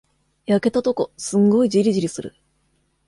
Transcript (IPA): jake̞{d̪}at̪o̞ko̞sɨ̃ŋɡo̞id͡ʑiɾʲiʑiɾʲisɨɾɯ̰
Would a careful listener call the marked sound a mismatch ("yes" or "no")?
yes